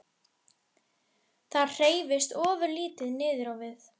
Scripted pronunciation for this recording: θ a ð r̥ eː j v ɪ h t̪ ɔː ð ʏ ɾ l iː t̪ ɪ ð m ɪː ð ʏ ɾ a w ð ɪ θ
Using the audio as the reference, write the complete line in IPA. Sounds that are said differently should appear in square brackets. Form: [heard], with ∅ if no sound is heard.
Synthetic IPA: θ a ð r̥ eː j v ɪ [s] t̪ ɔː [v] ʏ ɾ l iː t̪ ɪ ð [n] ɪː ð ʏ ɾ a w [v] ɪ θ